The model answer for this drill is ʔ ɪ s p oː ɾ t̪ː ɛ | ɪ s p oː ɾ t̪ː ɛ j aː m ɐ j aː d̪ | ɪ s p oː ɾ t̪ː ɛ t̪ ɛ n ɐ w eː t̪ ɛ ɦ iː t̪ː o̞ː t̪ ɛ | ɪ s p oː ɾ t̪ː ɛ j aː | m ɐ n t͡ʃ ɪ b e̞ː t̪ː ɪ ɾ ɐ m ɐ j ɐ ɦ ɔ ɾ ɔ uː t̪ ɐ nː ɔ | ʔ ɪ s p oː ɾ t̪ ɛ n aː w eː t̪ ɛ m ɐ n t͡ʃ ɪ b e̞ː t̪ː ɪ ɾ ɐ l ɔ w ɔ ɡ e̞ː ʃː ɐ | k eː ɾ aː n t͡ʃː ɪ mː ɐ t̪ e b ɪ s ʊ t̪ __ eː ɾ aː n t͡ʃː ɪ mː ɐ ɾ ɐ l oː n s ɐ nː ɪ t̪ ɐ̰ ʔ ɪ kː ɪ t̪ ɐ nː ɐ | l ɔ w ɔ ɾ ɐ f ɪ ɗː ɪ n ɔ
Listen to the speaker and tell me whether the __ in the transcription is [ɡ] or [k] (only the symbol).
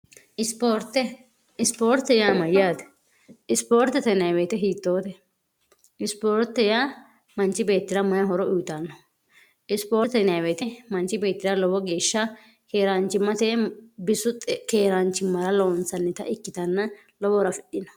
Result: k